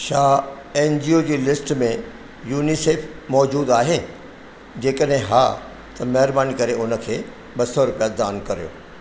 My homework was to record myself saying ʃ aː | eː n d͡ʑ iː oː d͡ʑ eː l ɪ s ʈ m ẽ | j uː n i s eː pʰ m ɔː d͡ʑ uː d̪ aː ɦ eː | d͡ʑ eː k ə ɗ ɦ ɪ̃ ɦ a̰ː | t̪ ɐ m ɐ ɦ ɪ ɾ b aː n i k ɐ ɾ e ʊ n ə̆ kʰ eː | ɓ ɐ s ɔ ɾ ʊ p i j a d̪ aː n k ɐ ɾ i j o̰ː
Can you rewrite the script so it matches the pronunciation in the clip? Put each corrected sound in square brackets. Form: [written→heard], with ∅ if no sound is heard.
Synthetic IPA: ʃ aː | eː n d͡ʑ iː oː d͡ʑ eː l ɪ s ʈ m ẽ | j uː n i s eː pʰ m ɔː d͡ʑ uː d̪ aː ɦ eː | d͡ʑ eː k ə ɗ ɦ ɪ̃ ɦ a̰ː | t̪ ɐ m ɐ ɦ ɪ ɾ b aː n i k ɐ ɾ e ʊ n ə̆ kʰ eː | ɓ ɐ s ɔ ɾ ʊ p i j a d̪ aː n k ɐ ɾ i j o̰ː